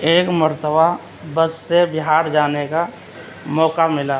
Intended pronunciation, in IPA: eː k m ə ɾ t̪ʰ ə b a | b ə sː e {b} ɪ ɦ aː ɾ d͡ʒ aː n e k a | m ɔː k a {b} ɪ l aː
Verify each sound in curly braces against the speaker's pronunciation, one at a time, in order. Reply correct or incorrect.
correct, incorrect: m

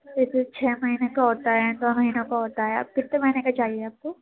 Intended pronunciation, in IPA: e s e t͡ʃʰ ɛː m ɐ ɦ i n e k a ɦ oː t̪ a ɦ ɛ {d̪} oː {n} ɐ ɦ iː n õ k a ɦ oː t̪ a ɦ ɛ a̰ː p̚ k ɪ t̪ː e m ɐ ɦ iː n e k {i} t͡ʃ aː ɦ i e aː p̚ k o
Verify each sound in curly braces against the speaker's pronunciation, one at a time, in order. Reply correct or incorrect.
correct, incorrect: m, incorrect: a

